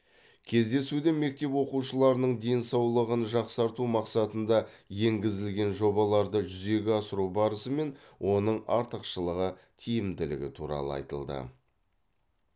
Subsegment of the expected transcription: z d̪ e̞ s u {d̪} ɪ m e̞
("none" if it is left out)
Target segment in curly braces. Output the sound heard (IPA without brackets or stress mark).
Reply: d̪